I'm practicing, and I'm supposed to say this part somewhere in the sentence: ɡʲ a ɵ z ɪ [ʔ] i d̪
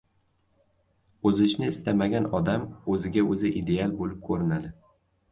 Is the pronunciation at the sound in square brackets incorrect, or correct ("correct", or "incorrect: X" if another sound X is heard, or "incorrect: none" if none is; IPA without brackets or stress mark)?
correct